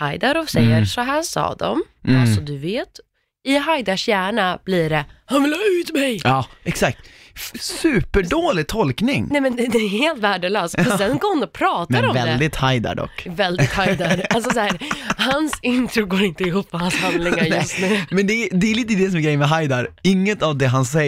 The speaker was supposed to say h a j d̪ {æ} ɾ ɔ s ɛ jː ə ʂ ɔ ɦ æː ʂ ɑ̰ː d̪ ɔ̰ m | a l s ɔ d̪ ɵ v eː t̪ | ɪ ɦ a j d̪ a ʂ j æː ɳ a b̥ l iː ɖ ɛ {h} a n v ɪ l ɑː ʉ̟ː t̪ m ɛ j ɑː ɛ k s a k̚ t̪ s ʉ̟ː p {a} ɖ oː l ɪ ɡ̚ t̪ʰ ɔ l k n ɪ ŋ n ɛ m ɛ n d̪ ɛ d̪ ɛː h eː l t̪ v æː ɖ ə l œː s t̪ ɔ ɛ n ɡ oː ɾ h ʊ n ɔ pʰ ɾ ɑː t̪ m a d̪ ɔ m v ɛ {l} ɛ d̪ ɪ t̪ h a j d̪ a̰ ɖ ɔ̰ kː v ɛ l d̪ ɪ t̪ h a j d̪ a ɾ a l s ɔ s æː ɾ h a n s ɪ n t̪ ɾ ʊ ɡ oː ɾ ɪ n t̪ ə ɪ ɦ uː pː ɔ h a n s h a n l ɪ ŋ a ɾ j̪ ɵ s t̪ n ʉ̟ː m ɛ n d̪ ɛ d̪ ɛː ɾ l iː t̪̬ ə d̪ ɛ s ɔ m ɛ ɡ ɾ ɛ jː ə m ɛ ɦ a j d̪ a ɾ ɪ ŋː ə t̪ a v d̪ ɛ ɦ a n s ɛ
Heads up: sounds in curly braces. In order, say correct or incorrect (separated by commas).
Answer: incorrect, correct, incorrect, correct